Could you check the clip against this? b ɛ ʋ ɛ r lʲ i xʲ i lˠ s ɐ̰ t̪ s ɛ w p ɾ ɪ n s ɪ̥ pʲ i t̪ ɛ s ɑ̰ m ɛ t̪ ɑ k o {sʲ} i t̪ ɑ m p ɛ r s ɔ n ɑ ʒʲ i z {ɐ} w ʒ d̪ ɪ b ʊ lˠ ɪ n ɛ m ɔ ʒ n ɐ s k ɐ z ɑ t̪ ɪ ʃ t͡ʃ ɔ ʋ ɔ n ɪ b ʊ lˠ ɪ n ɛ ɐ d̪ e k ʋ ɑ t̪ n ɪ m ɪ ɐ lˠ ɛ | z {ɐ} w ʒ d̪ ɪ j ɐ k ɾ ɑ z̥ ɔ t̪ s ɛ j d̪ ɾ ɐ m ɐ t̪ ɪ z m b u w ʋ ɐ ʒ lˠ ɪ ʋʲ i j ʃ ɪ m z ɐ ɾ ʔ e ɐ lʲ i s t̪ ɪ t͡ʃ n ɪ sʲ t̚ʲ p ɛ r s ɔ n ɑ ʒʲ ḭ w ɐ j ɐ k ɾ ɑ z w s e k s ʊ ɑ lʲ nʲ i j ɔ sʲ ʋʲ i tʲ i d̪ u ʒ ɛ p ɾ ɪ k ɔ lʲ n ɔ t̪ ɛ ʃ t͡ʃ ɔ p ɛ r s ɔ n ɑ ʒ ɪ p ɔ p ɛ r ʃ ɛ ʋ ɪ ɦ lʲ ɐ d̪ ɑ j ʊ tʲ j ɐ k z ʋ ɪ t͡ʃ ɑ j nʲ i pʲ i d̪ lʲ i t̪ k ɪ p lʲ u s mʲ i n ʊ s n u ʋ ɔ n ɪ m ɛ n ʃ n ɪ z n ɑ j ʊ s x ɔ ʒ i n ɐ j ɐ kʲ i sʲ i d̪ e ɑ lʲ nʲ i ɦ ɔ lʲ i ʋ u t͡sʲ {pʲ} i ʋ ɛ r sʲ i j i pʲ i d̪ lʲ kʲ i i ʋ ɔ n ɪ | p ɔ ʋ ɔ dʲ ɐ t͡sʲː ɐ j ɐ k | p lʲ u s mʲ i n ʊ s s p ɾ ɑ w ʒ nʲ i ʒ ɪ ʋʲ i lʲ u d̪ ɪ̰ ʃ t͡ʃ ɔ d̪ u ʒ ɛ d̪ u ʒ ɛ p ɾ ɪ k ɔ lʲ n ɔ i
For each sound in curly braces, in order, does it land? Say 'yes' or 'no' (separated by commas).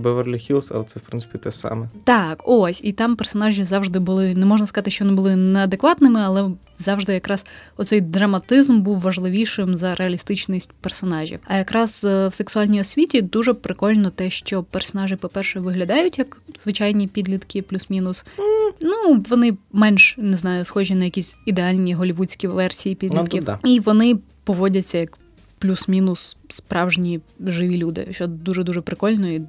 yes, no, no, no